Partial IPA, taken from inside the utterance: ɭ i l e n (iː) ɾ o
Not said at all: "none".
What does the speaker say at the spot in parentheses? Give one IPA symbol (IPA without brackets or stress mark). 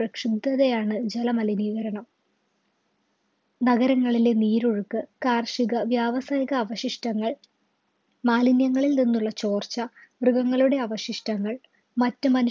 iː